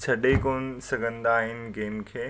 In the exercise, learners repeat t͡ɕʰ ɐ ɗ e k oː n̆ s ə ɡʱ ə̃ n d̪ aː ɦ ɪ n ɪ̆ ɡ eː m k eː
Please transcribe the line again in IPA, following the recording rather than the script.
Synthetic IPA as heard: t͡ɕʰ ɐ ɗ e k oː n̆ s ɐ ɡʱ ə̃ n d̪ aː ɦ ɪ n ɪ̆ ɡ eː m kʰ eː

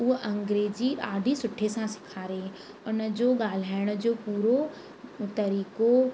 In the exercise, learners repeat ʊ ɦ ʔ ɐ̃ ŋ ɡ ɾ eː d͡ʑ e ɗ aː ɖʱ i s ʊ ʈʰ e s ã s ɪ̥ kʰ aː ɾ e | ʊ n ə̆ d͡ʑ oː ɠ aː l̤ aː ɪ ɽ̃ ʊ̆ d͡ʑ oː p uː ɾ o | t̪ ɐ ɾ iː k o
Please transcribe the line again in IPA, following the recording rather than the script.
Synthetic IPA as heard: ʊ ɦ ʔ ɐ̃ ŋ ɡ ɾ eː d͡ʑ i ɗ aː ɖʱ i s ʊ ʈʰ e s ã s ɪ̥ kʰ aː ɾ e | ʊ n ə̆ d͡ʑ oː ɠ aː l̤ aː ɪ ɽ̃ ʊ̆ d͡ʑ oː p uː ɾ o | t̪ ɐ ɾ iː k o

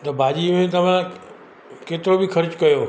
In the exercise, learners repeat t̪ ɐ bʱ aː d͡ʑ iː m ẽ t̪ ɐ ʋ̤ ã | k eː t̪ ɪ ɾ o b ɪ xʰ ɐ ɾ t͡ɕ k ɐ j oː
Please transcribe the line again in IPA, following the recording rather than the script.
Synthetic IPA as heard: t̪ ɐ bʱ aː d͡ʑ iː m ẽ t̪ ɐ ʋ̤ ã | k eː t̪ ɪ ɾ o b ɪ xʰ ɐ ɾ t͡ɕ k ɐ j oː

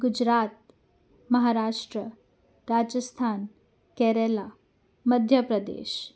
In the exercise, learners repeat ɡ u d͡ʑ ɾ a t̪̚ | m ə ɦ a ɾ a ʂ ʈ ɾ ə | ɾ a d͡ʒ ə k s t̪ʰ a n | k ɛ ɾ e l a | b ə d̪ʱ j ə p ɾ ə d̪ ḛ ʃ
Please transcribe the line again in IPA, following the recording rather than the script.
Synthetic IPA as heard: ɡ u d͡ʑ ɾ a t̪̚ | m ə ɦ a ɾ a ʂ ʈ ɾ ə | ɾ a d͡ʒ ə s t̪ʰ a n | k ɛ ɾ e l a | m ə d̪ʱ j ə p ɾ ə d̪ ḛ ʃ

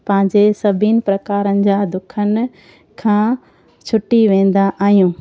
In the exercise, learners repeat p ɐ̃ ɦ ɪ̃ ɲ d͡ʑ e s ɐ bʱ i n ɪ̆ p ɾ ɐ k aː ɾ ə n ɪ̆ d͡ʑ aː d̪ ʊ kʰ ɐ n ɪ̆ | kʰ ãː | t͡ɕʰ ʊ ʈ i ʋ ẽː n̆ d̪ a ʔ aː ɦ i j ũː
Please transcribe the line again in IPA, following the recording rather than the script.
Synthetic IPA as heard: p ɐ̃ ɦ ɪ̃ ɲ d͡ʑ e s ɐ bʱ i n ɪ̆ p ɾ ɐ k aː ɾ ə n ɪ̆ d͡ʑ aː d̪ ʊ kʰ ə n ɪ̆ | kʰ ãː | t͡ɕʰ ʊ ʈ i ʋ ẽː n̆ d̪ a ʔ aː ɦ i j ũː

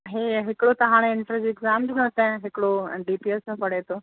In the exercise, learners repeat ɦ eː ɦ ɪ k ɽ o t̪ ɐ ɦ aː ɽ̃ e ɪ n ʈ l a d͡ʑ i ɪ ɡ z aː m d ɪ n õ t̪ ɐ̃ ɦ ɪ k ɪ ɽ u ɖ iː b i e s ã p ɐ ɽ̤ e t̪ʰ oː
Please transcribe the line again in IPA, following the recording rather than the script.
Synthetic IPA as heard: ɦ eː ɦ ɪ k ɽ o t̪ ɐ ɦ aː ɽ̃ e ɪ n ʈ ɾ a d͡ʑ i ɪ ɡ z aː m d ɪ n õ t̪ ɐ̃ ɦ ɪ k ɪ ɽ o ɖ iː p i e s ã p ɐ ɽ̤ e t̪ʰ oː

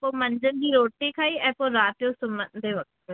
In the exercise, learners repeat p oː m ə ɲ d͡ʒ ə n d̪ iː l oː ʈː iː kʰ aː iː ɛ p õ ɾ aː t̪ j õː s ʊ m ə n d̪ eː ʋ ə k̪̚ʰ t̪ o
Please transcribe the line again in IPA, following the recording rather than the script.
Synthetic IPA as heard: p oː m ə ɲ d͡ʒ ə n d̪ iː ɾ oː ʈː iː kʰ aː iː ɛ p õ ɾ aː t̪ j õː s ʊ m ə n d̪ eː ʋ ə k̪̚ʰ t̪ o

